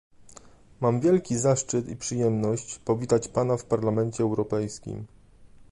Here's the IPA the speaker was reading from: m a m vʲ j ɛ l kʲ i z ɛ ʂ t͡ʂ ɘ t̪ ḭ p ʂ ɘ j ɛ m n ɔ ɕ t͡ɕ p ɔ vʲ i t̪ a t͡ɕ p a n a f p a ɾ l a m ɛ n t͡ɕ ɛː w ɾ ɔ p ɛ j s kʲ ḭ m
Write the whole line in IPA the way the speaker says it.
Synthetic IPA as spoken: m a m vʲ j ɛ l kʲ i z a ʂ t͡ʂ ɘ t̪ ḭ p ʂ ɘ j ɛ m n ɔ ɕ t͡ɕ p ɔ vʲ i t̪ a t͡ɕ p a n a f p a ɾ l a m ɛ n t͡ɕ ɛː w ɾ ɔ p ɛ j s kʲ ḭ m